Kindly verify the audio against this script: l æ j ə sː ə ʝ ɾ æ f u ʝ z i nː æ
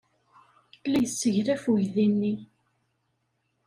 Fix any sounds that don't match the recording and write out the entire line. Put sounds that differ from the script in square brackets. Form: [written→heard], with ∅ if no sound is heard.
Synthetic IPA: l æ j ə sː ə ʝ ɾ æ f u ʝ [z→ð] i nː [æ→i]